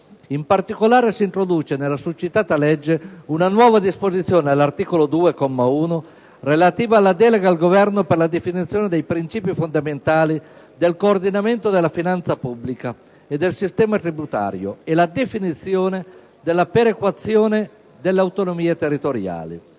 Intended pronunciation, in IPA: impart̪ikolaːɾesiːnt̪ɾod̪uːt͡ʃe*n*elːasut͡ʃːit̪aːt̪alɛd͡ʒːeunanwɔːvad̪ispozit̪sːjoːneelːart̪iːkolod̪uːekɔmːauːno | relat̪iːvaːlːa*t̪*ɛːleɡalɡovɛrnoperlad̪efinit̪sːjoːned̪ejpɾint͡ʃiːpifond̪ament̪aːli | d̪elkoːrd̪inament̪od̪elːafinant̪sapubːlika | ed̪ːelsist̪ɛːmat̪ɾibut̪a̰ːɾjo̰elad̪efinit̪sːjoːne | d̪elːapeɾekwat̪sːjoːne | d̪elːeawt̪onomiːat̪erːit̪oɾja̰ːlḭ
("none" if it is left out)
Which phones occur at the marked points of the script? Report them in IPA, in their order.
n, d̪

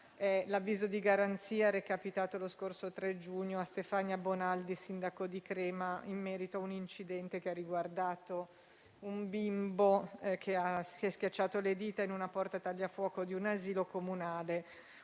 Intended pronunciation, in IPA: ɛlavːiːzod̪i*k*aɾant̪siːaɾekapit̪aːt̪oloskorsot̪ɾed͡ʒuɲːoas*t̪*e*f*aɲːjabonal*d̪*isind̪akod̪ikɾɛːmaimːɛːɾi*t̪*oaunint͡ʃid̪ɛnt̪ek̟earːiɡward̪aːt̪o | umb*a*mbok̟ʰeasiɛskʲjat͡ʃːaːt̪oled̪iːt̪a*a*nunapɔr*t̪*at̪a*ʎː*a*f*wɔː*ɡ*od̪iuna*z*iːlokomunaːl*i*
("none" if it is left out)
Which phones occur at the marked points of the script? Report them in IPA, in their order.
ɡ, t̪, f, d̪, t̪, i, i, t̪, ʎː, f, k, z, e

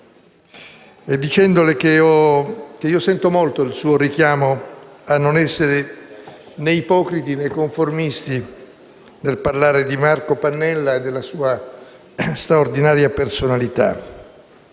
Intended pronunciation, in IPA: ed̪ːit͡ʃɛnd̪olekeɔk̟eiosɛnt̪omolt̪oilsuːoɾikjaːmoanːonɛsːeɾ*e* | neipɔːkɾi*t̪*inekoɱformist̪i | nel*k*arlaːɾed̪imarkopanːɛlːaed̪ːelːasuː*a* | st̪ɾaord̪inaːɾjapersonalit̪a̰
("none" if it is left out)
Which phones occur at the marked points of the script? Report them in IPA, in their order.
e, t̪, p, a

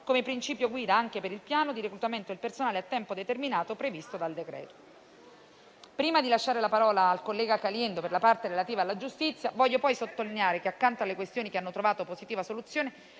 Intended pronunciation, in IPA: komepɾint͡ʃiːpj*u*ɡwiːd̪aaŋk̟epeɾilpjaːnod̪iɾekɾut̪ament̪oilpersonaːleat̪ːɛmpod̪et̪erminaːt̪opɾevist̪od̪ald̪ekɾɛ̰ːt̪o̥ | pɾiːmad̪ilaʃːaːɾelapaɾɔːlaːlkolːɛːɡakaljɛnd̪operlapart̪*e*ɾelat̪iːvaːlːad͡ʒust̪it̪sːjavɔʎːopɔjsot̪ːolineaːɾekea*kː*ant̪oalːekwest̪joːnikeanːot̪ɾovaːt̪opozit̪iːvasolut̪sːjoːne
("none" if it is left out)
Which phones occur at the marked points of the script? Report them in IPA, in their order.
o, e, kː

